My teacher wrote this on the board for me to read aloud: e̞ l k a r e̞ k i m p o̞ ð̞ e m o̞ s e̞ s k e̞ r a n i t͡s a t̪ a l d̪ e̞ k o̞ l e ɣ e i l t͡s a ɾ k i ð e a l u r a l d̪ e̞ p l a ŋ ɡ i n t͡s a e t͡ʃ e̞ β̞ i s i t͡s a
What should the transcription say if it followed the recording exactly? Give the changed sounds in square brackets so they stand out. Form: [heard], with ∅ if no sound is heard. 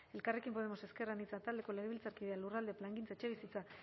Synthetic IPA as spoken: e̞ l k a r e̞ k i m p o̞ ð̞ e m o̞ s e̞ s k e̞ r a n i t͡s a t̪ a l d̪ e̞ k o̞ l e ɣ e i l t͡s a ɾ k i ð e a l u r a l d̪ e̞ p l a ŋ ɡ i n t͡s a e t͡ʃ e̞ β̞ i s i t͡s a